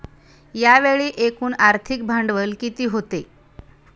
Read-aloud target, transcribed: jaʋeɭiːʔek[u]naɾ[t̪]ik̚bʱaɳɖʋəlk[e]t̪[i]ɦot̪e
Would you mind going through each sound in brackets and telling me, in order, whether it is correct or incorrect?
incorrect: uː, incorrect: t̪ʰ, incorrect: i, incorrect: iː

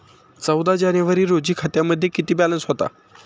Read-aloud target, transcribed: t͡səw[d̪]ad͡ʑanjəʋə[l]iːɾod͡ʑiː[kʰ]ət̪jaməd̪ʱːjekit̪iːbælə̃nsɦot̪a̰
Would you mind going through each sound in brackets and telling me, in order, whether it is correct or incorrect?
correct, incorrect: ɾ, correct

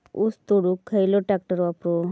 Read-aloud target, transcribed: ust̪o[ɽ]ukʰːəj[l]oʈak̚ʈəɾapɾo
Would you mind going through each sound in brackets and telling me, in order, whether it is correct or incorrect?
correct, correct

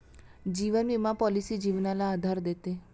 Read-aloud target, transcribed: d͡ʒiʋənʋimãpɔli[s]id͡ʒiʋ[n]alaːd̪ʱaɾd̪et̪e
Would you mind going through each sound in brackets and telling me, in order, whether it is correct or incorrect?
correct, correct

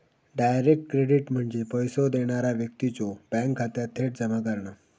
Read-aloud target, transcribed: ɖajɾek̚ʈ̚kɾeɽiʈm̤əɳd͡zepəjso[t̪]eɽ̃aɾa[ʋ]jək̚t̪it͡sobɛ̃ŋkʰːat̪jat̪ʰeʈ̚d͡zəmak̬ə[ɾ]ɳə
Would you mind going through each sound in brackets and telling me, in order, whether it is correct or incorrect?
incorrect: d̪, correct, correct

